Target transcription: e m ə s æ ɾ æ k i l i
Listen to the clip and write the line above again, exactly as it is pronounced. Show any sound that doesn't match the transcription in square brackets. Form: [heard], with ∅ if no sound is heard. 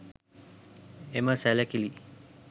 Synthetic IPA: e m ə s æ [l] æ k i l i